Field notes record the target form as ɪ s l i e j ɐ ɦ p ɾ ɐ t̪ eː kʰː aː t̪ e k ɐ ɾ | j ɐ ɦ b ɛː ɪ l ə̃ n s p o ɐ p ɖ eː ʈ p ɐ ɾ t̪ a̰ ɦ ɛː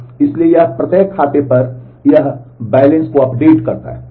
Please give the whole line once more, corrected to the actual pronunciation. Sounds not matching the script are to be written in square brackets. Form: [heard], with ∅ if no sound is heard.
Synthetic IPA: ɪ s l i e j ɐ ɦ p ɾ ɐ t̪ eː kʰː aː t̪ e [p] ɐ ɾ | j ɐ ɦ b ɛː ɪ l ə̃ n s [k] o ɐ p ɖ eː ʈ [k] ɐ ɾ t̪ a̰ ɦ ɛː